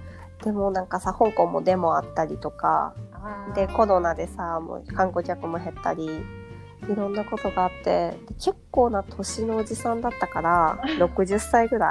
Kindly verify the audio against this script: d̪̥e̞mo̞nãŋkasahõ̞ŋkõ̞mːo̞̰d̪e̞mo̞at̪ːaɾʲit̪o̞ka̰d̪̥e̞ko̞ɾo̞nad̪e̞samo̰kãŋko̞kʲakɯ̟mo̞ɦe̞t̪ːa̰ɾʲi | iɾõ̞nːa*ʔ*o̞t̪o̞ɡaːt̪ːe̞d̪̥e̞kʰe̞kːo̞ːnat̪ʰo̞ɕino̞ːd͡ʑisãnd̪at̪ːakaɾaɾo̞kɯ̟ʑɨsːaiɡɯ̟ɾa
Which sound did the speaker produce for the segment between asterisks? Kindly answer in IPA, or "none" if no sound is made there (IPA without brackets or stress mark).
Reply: k